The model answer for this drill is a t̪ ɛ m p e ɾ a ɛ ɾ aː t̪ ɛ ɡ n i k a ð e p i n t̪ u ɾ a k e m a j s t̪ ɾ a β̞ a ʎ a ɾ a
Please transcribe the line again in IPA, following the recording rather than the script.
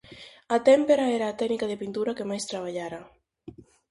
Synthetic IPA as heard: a t̪ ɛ m p e ɾ a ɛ ɾ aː t̪ ɛ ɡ n i k a ð e p i n t̪ u ɾ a k e m a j s t̪ ɾ a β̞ a ʎ a ɾ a